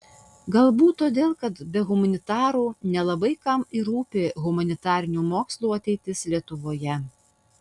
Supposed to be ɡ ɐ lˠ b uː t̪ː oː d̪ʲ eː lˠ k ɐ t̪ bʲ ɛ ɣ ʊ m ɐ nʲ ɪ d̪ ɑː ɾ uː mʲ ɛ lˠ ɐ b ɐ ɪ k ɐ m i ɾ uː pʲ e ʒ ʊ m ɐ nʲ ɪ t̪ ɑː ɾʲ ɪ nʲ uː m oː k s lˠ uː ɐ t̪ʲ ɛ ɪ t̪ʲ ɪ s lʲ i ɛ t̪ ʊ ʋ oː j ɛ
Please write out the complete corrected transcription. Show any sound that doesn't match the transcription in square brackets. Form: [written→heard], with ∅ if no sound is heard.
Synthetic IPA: ɡ ɐ lˠ b uː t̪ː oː d̪ʲ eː lˠ k ɐ t̪ bʲ ɛ ɣ ʊ m ɐ nʲ ɪ [d̪→t̪] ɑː ɾ uː [mʲ→nʲ] ɛ lˠ ɐ b ɐ ɪ k ɐ m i ɾ uː pʲ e [ʒ→ɣ] ʊ m ɐ nʲ ɪ t̪ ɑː ɾʲ ɪ nʲ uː m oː k s lˠ uː ɐ t̪ʲ ɛ ɪ t̪ʲ ɪ s lʲ i ɛ t̪ ʊ ʋ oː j ɛ

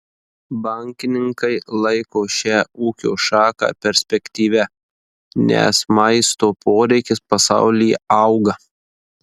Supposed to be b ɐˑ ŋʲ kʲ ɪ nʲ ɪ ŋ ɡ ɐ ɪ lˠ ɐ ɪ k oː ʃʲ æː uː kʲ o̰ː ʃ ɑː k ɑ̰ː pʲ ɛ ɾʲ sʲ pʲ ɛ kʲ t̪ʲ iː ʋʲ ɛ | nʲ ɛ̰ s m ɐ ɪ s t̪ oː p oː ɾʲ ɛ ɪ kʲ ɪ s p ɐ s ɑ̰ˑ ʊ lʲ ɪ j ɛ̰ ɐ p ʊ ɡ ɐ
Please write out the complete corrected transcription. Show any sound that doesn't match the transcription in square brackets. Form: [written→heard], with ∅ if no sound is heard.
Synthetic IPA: b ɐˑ ŋʲ kʲ ɪ nʲ ɪ ŋ [ɡ→k] ɐ ɪ lˠ ɐ ɪ k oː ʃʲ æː uː kʲ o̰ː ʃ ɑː k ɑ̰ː pʲ ɛ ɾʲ sʲ pʲ ɛ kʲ t̪ʲ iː ʋʲ ɛ | nʲ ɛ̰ s m ɐ ɪ s t̪ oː p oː ɾʲ ɛ ɪ kʲ ɪ s p ɐ s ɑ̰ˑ ʊ lʲ ɪ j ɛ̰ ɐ [p→∅] ʊ ɡ ɐ

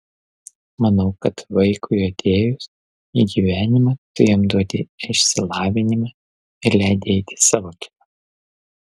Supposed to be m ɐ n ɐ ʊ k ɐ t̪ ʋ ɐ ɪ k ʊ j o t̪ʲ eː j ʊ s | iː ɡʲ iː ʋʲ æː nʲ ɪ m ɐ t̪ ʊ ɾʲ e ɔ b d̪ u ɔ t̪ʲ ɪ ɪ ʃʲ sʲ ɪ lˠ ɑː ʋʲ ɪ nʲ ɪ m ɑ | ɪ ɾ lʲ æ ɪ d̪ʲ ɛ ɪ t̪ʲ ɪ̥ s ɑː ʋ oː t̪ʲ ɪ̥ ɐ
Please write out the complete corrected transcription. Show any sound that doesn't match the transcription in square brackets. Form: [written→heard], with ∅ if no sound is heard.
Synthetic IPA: m ɐ n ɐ ʊ k ɐ t̪ ʋ ɐ ɪ k ʊ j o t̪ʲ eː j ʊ s | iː ɡʲ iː ʋʲ æː nʲ ɪ m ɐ t̪ ʊ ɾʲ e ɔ [b→m] d̪ u ɔ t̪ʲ ɪ ɪ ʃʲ sʲ ɪ lˠ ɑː ʋʲ ɪ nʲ ɪ m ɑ | ɪ ɾ lʲ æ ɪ d̪ʲ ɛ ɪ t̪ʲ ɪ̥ s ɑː ʋ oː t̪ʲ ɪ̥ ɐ

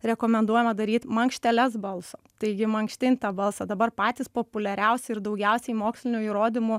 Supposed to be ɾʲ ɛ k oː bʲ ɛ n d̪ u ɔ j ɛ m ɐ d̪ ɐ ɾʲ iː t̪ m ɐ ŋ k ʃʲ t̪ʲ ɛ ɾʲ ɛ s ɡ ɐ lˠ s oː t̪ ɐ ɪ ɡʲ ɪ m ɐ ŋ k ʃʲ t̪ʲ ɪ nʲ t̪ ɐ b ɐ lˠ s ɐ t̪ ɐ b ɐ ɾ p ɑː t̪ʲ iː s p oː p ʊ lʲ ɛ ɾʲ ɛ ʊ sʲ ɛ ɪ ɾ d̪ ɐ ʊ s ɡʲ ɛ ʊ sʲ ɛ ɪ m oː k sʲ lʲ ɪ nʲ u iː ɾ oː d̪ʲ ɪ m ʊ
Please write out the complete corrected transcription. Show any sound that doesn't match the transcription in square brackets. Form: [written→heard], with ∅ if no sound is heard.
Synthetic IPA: ɾʲ ɛ k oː [bʲ→mʲ] ɛ n d̪ u ɔ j ɛ m ɐ d̪ ɐ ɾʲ iː t̪ m ɐ ŋ k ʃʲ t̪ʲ ɛ [ɾʲ→lʲ] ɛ s [ɡ→b] ɐ lˠ s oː t̪ ɐ ɪ ɡʲ ɪ m ɐ ŋ k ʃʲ t̪ʲ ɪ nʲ t̪ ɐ b ɐ lˠ s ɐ [t̪→d̪] ɐ b ɐ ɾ p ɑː t̪ʲ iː s p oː p ʊ lʲ ɛ ɾʲ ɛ ʊ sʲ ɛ ɪ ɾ d̪ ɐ ʊ [s→∅] ɡʲ ɛ ʊ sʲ ɛ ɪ m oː k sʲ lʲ ɪ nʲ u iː ɾ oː d̪ʲ ɪ m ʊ

